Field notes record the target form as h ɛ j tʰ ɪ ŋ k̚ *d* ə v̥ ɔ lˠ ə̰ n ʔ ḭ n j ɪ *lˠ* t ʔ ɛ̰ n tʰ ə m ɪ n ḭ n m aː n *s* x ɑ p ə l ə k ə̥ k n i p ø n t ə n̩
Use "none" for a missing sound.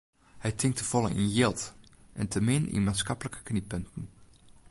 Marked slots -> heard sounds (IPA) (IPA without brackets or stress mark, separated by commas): t, lˠ, s